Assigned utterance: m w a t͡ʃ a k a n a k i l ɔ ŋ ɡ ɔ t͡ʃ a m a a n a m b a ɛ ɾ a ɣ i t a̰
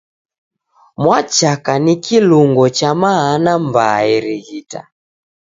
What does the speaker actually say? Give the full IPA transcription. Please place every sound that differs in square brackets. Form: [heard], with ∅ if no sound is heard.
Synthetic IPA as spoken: m w a t͡ʃ a k a n [i] k i l [u] ŋ ɡ ɔ t͡ʃ a m a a n a m b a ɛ ɾ [i] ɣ i t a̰